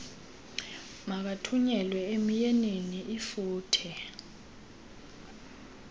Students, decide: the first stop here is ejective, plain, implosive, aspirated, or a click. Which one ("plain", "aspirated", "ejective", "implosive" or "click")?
plain